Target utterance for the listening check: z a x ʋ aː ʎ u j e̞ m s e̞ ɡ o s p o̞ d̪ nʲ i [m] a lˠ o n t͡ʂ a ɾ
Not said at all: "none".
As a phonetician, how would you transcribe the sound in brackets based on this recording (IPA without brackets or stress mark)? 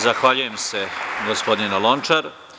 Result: n